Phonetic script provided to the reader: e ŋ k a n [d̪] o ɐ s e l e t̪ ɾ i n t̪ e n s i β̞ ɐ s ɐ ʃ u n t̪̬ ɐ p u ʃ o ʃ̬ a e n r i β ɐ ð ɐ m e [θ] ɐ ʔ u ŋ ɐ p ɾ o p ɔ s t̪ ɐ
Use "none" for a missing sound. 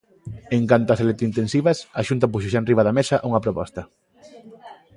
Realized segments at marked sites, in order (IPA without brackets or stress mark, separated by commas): t̪, s